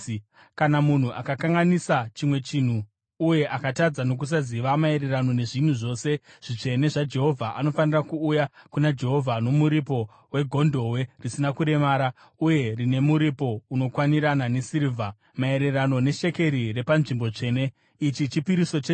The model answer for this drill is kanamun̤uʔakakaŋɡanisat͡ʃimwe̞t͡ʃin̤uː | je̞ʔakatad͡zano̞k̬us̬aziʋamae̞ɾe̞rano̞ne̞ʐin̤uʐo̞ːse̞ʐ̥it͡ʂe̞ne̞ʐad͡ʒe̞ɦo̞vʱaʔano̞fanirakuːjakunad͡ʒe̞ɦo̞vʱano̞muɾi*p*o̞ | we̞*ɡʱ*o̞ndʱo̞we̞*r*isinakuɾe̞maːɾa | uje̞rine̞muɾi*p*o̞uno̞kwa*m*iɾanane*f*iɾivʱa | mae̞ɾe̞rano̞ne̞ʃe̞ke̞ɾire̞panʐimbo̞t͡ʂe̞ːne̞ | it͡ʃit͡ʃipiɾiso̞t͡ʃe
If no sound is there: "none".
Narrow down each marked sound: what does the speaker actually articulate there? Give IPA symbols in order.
p, ɡʱ, r, p, n, s

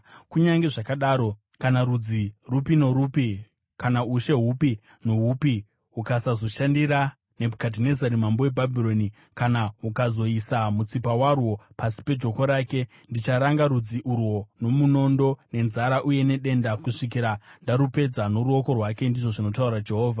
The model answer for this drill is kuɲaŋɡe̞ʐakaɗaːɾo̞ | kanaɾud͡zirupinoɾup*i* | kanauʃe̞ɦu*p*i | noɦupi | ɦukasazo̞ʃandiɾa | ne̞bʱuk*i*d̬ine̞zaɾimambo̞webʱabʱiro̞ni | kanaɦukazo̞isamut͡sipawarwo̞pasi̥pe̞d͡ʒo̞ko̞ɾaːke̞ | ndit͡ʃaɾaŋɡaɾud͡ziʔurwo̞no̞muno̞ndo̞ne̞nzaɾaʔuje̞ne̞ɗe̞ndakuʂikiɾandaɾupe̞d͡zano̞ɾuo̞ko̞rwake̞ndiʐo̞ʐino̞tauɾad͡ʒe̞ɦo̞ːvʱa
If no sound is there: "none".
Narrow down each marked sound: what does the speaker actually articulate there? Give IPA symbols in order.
i, p, a

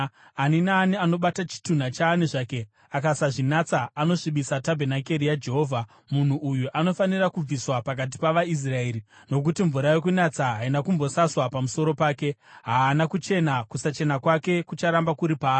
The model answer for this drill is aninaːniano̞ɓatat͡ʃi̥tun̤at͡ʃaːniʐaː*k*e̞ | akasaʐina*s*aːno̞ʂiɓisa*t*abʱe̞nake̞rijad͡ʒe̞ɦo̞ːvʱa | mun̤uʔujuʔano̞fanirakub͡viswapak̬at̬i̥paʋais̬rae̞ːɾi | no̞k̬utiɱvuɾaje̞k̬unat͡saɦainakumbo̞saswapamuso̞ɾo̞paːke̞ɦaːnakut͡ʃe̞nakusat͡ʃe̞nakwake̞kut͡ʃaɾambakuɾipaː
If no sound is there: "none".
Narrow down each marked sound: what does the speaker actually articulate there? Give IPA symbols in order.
k, t͡s, t

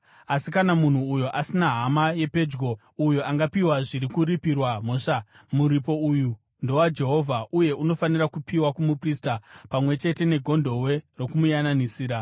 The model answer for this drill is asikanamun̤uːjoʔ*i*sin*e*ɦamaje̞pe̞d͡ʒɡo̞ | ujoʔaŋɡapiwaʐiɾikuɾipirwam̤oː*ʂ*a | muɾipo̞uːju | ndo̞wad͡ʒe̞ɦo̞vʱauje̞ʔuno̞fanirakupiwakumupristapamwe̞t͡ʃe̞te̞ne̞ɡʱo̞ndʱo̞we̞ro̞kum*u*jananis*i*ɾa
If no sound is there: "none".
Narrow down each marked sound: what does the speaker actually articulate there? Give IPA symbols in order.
a, a, ʂ, u, iː

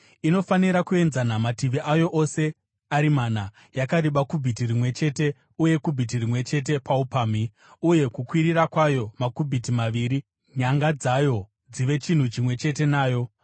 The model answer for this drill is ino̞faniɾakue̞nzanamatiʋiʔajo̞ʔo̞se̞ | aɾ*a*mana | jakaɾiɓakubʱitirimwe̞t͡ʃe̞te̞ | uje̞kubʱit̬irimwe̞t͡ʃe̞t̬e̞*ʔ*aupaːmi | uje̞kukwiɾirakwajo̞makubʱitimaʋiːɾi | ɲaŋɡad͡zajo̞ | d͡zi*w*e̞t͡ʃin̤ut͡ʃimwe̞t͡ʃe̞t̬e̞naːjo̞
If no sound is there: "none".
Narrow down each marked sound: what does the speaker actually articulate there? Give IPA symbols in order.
i, p, ʋ

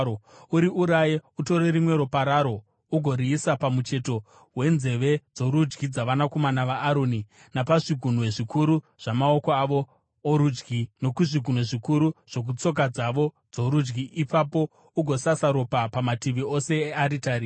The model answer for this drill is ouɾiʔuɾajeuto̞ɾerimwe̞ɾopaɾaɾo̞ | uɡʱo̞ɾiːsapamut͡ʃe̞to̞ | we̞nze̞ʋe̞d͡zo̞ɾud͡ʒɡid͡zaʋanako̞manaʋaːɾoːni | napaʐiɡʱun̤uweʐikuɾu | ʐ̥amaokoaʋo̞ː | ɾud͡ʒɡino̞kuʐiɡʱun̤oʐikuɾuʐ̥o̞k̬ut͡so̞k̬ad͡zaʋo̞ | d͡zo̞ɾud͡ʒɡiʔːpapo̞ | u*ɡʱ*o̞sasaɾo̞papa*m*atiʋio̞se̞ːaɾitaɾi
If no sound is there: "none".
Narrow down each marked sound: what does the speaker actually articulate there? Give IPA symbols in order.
ɡʱ, m

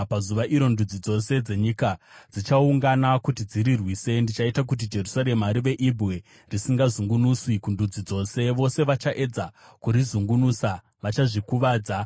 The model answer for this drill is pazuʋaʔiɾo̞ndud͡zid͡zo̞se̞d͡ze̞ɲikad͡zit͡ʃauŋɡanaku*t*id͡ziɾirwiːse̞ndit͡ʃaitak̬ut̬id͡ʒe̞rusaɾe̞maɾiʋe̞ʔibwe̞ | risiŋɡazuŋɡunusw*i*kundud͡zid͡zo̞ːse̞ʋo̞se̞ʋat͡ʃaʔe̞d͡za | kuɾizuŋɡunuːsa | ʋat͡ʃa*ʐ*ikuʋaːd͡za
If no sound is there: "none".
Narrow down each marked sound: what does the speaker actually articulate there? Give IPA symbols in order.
t, i, ʐ

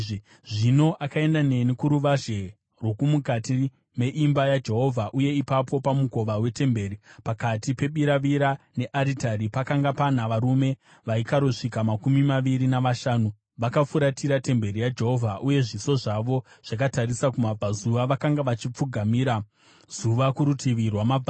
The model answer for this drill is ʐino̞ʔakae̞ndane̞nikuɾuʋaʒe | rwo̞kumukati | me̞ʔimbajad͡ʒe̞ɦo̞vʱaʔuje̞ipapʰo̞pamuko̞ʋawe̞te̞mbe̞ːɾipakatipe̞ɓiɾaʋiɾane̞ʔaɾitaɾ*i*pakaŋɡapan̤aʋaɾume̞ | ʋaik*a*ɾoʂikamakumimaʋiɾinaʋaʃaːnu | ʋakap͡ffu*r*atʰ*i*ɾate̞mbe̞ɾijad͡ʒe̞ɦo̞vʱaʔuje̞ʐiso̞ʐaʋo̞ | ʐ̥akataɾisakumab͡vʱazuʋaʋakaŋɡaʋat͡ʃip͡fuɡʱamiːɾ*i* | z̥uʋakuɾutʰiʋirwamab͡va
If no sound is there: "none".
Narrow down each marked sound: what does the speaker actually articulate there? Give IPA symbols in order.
i, a, ɾ, i, a

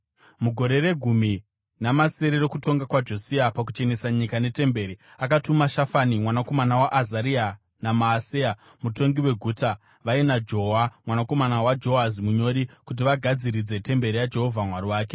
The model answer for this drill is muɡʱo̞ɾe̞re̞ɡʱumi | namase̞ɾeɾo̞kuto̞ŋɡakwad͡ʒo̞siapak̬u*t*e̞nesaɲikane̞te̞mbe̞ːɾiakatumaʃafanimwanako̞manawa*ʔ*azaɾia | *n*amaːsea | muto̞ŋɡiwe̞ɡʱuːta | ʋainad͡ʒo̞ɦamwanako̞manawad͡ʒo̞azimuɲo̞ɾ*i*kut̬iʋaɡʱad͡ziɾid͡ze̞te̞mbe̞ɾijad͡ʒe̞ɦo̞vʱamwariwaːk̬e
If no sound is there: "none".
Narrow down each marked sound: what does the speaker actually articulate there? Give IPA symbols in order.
t͡ʃ, ʔ, n, i

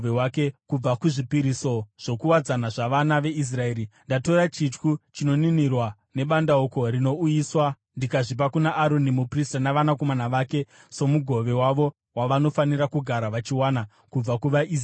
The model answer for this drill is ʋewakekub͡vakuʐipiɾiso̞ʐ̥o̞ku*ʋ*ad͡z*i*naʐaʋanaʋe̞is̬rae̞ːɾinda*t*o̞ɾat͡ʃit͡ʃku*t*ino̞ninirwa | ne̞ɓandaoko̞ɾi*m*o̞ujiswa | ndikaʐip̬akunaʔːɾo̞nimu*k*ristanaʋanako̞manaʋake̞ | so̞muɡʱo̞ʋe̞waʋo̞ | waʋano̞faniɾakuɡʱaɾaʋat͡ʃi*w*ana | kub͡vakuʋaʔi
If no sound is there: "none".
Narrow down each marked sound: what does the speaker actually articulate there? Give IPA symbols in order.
w, a, t, t͡ʃ, n, p, w

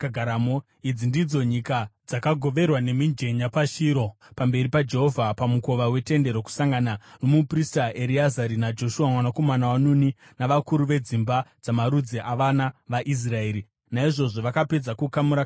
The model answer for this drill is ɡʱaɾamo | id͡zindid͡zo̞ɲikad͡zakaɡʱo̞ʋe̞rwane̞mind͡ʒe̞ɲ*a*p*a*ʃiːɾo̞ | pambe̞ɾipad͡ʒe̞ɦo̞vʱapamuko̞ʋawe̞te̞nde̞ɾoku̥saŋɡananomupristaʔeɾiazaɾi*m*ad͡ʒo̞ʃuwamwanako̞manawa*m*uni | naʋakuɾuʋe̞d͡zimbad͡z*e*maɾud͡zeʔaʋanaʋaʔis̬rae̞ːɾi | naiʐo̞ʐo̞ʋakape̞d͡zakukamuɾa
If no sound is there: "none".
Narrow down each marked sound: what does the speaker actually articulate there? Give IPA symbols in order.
a, a, n, n, a

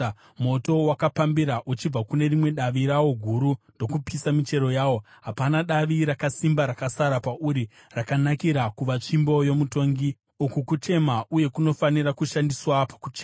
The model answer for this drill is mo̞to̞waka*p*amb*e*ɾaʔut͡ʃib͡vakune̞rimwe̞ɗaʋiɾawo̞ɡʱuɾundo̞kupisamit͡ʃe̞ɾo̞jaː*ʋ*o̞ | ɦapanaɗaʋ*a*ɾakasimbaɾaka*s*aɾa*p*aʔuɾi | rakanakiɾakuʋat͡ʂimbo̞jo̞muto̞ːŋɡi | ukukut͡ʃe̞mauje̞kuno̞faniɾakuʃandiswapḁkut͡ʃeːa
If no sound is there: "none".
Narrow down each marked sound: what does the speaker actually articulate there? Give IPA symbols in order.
p, i, w, i, s, p

